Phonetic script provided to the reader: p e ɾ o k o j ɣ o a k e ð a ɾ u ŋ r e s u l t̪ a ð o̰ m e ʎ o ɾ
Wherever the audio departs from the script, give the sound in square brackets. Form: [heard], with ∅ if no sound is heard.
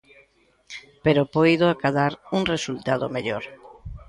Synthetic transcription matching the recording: p e ɾ o [p] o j [ð] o a k [a] ð a ɾ u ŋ r e s u l t̪ a ð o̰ m e ʎ o ɾ